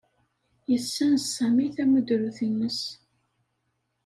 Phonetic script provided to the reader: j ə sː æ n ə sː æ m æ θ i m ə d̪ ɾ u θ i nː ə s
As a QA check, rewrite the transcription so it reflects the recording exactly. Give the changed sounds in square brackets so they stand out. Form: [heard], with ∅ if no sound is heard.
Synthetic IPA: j ə sː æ n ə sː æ m [i] θ [æ] m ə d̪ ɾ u θ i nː ə s